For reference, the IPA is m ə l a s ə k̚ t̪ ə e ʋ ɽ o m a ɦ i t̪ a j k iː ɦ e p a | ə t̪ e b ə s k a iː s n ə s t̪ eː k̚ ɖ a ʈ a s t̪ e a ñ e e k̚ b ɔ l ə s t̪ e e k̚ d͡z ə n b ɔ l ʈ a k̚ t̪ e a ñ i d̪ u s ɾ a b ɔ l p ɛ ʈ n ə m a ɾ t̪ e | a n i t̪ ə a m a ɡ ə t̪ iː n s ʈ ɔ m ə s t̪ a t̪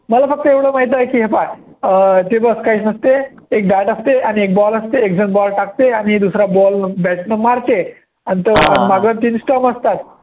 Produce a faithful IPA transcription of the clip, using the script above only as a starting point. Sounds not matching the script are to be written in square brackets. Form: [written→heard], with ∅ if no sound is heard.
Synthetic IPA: m ə l a [s→f] ə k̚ t̪ ə e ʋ ɽ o m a ɦ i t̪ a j k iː ɦ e p a | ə t̪ e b ə s k a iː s n ə s t̪ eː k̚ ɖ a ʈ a s t̪ e a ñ [e→i] e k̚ b ɔ l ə s t̪ e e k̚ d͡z ə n b ɔ l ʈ a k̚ t̪ e a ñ i d̪ u s ɾ a b ɔ l [p→b] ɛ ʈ n ə m a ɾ t̪ e | a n i t̪ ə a m a ɡ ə t̪ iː n s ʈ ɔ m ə s t̪ a t̪

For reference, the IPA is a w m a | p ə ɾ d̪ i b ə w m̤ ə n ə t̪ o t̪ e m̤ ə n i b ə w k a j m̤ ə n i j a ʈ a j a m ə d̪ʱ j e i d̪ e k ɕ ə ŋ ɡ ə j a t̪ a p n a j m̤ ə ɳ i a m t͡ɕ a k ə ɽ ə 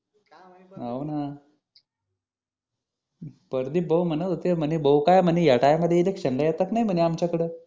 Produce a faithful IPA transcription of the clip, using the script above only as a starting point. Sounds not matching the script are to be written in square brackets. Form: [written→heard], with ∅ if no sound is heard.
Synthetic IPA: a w [m→n] a | p ə ɾ d̪ i b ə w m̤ ə n ə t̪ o t̪ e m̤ ə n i b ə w k a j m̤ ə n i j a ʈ a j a m ə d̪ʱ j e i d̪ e k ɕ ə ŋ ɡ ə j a t̪ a [p→k] n a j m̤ ə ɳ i a m t͡ɕ a k ə ɽ ə

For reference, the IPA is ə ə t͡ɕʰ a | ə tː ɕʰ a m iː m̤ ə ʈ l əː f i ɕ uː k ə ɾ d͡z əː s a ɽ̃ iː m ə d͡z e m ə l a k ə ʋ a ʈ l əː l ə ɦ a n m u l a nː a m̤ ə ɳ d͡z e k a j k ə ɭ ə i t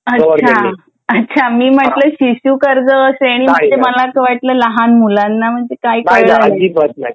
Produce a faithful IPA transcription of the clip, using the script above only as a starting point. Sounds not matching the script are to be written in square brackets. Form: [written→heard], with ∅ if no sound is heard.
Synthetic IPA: ə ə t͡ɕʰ a | ə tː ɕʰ a m iː m̤ ə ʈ l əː [f→ɕ] i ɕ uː k ə ɾ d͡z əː s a ɽ̃ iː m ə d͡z e m ə l a k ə ʋ a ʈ l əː l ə ɦ a n m u l a nː a m̤ ə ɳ d͡z e k a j k ə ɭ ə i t

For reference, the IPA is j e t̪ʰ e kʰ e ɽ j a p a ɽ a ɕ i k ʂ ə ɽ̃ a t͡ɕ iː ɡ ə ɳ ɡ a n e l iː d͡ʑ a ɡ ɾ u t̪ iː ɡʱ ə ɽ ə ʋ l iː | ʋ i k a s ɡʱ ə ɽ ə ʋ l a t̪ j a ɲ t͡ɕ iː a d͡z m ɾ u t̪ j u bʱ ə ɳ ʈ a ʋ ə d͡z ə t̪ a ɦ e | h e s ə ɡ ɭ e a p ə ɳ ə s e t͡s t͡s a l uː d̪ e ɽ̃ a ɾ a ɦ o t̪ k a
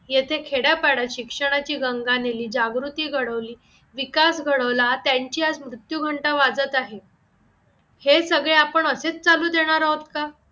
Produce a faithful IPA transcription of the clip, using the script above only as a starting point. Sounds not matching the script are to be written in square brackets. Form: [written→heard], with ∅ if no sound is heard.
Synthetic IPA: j e t̪ʰ e kʰ e ɽ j a p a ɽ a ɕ i k ʂ ə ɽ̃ a t͡ɕ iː ɡ ə [ɳ→ŋ] ɡ a n e l iː d͡ʑ a ɡ ɾ u t̪ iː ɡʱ ə ɽ ə ʋ l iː | ʋ i k a s ɡʱ ə ɽ ə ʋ l a t̪ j a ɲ t͡ɕ iː a d͡z m ɾ u t̪ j u [bʱ→ɡʱ] ə ɳ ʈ a ʋ [ə→a] d͡z ə t̪ a ɦ e | h e s ə ɡ ɭ e a p ə ɳ ə s e t͡s t͡s a l uː d̪ e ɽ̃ a ɾ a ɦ o t̪ k a

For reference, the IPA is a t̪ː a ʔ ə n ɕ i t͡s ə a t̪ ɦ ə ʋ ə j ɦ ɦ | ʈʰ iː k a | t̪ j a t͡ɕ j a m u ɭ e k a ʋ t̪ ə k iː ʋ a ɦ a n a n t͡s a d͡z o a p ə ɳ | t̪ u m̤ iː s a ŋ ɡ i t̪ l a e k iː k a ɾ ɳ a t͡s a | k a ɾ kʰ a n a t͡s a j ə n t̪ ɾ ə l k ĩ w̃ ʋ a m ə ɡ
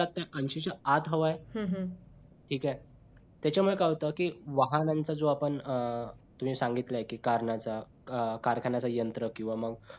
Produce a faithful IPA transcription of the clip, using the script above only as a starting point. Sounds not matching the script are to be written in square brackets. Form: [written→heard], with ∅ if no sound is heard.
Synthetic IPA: a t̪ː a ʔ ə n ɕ i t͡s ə a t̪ ɦ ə ʋ [ə→a] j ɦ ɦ | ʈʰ iː k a | t̪ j a t͡ɕ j a m u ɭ e k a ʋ t̪ ə k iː ʋ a ɦ a n a n t͡s a d͡z o a p ə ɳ | t̪ u m̤ iː s a ŋ ɡ i t̪ l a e k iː k a ɾ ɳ a t͡s a | k a ɾ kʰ a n a t͡s a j ə n t̪ ɾ ə [l→∅] k ĩ w̃ ʋ a m ə ɡ

